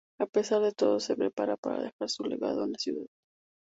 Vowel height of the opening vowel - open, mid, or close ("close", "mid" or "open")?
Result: open